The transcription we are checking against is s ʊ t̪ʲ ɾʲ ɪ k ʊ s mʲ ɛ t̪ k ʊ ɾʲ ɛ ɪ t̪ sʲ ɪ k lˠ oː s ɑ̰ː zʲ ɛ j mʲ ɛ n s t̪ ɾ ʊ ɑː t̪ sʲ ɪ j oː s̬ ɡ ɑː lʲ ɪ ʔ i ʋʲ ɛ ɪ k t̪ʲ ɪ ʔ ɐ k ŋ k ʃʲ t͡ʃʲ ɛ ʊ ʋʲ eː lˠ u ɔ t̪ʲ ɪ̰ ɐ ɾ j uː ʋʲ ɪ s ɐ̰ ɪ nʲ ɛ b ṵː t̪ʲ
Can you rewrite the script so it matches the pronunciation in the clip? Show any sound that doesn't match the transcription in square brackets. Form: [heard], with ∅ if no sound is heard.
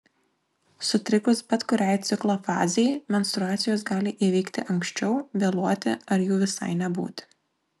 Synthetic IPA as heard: s ʊ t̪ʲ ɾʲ ɪ k ʊ s [bʲ] ɛ t̪ k ʊ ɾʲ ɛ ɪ t̪ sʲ ɪ k lˠ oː [f] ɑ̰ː zʲ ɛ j mʲ ɛ n s t̪ ɾ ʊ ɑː t̪ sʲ ɪ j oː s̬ ɡ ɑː lʲ ɪ ʔ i ʋʲ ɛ ɪ k t̪ʲ ɪ ʔ ɐ [∅] ŋ k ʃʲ t͡ʃʲ ɛ ʊ ʋʲ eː lˠ u ɔ t̪ʲ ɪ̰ ɐ ɾ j uː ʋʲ ɪ s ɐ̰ ɪ nʲ ɛ b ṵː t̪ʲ

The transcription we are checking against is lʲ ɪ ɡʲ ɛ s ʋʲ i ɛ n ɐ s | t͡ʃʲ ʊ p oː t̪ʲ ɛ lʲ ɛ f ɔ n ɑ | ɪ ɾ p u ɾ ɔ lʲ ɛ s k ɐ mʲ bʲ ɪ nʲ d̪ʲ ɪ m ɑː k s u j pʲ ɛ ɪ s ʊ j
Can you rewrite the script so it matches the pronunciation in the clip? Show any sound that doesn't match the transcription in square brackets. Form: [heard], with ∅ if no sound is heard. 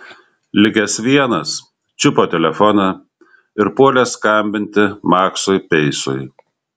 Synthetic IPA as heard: lʲ ɪ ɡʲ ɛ s ʋʲ i ɛ n ɐ s | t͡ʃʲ ʊ p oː t̪ʲ ɛ lʲ ɛ f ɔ n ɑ | ɪ ɾ p u [∅] ɔ lʲ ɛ s k ɐ mʲ bʲ ɪ nʲ [t̪ʲ] ɪ m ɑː k s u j pʲ ɛ ɪ s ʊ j

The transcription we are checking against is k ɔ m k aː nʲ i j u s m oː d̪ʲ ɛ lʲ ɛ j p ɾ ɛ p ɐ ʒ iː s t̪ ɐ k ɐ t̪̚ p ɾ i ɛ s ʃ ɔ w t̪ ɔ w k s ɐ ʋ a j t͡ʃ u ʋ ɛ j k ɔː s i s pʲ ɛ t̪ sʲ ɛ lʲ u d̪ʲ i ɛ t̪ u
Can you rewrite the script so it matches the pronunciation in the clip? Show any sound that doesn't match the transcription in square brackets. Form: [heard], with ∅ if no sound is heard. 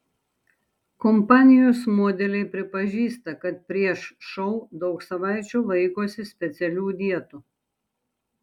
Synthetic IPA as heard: k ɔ m [p] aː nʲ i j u s m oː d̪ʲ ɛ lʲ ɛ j p ɾ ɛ p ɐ ʒ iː s t̪ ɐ k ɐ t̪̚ p ɾ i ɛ [ʃ] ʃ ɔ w [d̪] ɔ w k s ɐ ʋ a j t͡ʃ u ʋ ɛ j k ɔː s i s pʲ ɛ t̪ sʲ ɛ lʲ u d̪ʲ i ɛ t̪ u

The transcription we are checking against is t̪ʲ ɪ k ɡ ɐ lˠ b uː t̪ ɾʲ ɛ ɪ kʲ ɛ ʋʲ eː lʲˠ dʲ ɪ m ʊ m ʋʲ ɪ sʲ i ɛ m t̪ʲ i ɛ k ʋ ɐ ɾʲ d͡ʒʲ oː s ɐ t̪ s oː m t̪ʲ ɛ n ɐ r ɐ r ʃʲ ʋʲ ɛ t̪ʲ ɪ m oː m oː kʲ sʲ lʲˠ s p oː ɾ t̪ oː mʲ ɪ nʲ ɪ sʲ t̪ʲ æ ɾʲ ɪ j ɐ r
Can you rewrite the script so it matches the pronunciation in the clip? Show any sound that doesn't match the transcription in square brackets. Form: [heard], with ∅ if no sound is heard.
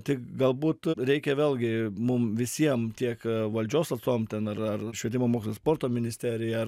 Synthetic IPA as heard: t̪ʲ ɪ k ɡ ɐ lˠ b uː t̪ ɾʲ ɛ ɪ kʲ ɛ ʋʲ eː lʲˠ [ɡʲ] ɪ m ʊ m ʋʲ ɪ sʲ i ɛ m t̪ʲ i ɛ k ʋ ɐ [lʲ] d͡ʒʲ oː s ɐ t̪ s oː m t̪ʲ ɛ n ɐ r ɐ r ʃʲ ʋʲ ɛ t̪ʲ ɪ m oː m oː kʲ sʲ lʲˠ s p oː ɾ t̪ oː mʲ ɪ nʲ ɪ sʲ t̪ʲ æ ɾʲ ɪ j ɐ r

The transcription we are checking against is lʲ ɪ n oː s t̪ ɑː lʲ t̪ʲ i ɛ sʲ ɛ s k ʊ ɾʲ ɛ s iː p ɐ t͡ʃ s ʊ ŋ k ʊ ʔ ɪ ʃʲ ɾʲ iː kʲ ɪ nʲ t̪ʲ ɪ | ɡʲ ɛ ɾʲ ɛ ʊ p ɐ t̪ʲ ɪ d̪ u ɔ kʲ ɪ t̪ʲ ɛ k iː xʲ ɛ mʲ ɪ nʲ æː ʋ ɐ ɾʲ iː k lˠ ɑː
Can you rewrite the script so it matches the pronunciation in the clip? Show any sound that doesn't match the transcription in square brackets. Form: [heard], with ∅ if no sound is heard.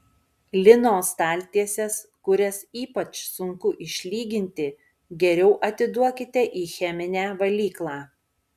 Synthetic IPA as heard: lʲ ɪ n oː s t̪ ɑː lʲ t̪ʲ i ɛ sʲ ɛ s k ʊ ɾʲ ɛ s iː p ɐ t͡ʃ s ʊ ŋ k ʊ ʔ ɪ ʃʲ [lʲ] iː [ɡʲ] ɪ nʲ t̪ʲ ɪ | ɡʲ ɛ ɾʲ ɛ ʊ [ʔ] ɐ t̪ʲ ɪ d̪ u ɔ kʲ ɪ t̪ʲ ɛ [ʔ] iː xʲ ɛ mʲ ɪ nʲ æː ʋ ɐ [lʲ] iː k lˠ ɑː

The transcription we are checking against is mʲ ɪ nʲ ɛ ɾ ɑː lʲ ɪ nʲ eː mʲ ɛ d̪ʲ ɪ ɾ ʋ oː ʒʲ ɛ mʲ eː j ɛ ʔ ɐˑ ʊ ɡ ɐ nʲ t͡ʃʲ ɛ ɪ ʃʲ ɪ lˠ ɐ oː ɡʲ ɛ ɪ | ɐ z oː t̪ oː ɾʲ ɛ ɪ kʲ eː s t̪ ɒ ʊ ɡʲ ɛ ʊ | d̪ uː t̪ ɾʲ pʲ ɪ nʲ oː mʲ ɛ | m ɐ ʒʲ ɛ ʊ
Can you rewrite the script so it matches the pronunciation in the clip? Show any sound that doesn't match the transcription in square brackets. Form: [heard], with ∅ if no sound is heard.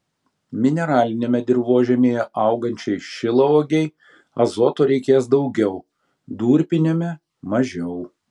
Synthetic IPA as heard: mʲ ɪ nʲ ɛ ɾ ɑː lʲ ɪ nʲ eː mʲ ɛ d̪ʲ ɪ ɾ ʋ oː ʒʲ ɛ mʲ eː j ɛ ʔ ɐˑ ʊ ɡ ɐ nʲ t͡ʃʲ ɛ ɪ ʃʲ ɪ lˠ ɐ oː ɡʲ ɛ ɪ | ɐ z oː t̪ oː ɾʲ ɛ ɪ kʲ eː s [d̪] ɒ ʊ ɡʲ ɛ ʊ | d̪ uː [∅] ɾʲ pʲ ɪ nʲ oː mʲ ɛ | m ɐ ʒʲ ɛ ʊ

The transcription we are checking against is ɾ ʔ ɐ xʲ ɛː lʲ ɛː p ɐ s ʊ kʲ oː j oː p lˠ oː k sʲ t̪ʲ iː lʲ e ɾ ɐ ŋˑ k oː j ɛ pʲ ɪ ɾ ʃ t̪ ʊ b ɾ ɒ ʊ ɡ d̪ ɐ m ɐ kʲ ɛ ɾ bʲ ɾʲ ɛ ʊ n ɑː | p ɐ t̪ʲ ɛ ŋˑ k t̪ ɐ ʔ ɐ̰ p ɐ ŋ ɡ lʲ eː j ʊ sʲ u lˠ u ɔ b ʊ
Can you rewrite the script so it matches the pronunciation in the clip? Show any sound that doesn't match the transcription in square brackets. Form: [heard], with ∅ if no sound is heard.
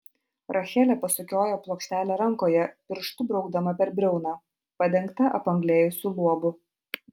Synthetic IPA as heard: ɾ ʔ ɐ xʲ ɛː lʲ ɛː p ɐ s ʊ kʲ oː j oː p lˠ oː k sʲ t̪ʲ [æː] lʲ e ɾ ɐ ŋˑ k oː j ɛ pʲ ɪ ɾ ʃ t̪ ʊ b ɾ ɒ ʊ ɡ d̪ ɐ m ɐ [pʲ] ɛ ɾ bʲ ɾʲ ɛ ʊ n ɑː | p ɐ [d̪ʲ] ɛ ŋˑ k t̪ ɐ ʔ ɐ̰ p ɐ ŋ ɡ lʲ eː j ʊ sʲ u lˠ u ɔ b ʊ

